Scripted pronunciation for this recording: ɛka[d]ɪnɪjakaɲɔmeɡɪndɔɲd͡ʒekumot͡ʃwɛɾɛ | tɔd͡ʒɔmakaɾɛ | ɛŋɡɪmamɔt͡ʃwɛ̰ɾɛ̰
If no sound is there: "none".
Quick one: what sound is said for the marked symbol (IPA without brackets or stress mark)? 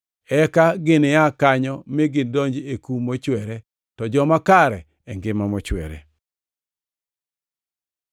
ɡ